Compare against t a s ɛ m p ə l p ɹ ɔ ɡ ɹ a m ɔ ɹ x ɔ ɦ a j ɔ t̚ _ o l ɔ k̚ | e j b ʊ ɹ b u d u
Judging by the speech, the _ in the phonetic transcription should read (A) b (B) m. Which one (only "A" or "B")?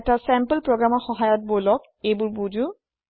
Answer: A